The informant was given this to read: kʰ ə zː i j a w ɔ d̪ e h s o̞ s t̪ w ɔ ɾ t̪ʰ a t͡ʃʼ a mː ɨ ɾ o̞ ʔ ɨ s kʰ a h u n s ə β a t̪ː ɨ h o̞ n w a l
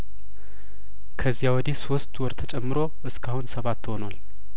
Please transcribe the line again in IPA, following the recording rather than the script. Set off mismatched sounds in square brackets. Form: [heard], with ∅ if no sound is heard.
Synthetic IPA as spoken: kʰ ə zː i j a w ɔ d̪ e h s o̞ s t̪ w ɔ ɾ t̪ʰ [ə] t͡ʃʼ [ɛ] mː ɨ ɾ o̞ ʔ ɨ s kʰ a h u n s ə β a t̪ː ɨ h o̞ n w a l